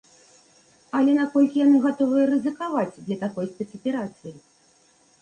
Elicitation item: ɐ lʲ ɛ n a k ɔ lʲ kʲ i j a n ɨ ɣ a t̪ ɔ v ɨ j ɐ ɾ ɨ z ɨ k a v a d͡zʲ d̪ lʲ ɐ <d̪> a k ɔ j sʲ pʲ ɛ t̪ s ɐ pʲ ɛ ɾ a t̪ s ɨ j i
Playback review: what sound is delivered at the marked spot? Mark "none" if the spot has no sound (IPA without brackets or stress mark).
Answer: t̪